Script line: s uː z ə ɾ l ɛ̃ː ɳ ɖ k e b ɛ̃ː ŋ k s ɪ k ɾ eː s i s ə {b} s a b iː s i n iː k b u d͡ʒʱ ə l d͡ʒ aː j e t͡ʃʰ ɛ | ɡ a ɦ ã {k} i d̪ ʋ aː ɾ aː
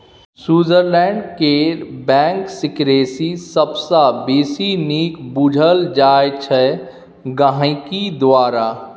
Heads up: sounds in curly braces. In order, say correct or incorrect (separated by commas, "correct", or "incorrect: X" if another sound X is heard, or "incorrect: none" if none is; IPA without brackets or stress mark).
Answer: correct, correct